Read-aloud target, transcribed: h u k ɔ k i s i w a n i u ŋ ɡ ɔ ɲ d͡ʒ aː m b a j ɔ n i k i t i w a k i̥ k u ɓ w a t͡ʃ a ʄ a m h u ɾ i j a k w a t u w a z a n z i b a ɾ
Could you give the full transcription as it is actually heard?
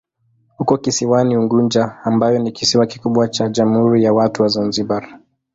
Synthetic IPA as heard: h u k ɔ k i s i w a n i u ŋ ɡ u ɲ d͡ʒ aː m b a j ɔ n i k i s i w a k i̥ k u ɓ w a t͡ʃ a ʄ a m h u ɾ i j a w a t u w a z a n z i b a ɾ